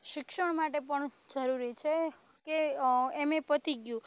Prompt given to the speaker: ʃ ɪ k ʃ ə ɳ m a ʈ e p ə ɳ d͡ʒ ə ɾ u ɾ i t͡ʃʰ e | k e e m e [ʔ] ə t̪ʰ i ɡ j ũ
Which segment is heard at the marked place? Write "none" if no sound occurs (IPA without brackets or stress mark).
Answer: p